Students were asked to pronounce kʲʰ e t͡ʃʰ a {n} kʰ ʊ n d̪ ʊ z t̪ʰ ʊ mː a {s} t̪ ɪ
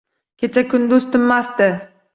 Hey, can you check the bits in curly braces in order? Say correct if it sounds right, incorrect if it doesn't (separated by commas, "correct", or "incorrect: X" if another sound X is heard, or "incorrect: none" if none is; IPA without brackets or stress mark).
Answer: incorrect: none, correct